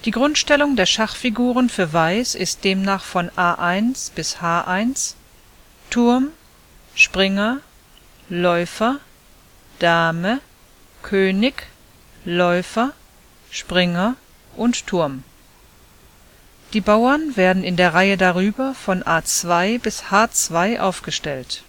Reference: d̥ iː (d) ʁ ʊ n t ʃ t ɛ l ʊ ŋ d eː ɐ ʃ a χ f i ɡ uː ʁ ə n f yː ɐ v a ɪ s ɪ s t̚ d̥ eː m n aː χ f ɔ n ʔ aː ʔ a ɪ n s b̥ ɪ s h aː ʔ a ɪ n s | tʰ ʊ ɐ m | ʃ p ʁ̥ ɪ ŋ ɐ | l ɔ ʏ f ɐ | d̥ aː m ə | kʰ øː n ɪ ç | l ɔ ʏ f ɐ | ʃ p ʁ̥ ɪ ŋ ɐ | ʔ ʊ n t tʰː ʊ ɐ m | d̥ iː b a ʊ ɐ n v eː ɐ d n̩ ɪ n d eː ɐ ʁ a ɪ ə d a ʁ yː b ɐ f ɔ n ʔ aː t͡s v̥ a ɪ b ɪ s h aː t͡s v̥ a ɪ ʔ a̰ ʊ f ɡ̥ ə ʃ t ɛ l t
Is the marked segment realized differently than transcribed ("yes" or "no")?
yes